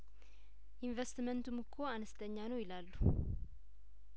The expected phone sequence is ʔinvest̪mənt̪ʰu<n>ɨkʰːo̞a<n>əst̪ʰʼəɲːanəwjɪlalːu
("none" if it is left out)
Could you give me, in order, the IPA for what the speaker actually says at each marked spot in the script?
m, n

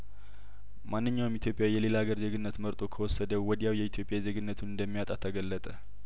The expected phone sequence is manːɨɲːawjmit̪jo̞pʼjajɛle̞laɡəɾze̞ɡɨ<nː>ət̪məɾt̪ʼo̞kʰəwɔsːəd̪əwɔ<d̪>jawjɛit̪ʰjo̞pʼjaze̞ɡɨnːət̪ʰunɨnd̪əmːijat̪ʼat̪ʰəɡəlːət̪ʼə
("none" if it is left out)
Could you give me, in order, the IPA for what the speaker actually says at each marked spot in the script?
nː, d̪

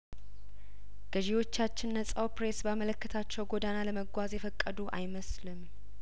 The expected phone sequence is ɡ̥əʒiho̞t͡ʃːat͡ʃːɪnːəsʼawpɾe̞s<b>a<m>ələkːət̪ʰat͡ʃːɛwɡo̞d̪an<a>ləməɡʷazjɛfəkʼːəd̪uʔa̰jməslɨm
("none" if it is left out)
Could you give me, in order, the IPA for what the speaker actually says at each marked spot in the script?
b, m, a

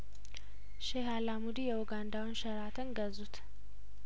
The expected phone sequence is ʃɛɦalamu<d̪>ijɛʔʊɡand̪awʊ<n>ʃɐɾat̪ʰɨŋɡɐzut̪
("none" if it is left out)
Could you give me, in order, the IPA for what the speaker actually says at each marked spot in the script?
d̪, n

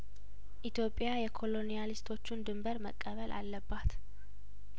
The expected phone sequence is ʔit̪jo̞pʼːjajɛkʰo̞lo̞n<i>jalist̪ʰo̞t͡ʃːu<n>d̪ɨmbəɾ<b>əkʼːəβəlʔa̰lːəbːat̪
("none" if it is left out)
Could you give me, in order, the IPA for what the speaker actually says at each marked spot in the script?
i, n, m

